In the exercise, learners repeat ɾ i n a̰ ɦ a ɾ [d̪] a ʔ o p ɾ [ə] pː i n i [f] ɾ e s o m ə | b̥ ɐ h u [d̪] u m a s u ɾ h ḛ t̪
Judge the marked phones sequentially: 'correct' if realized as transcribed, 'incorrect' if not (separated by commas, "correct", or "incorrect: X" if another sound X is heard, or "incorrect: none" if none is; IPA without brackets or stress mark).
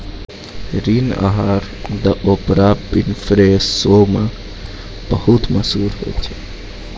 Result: correct, incorrect: a, correct, incorrect: t̪